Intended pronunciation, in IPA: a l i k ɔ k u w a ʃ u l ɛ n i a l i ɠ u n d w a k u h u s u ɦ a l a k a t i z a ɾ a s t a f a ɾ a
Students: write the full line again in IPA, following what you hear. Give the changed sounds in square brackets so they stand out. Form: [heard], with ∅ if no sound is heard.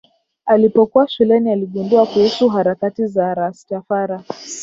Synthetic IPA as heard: a l i [p] ɔ k u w a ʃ u l ɛ n i a l i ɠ u n d [u] a k u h u s u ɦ a [ɾ] a k a t i z a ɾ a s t a f a ɾ a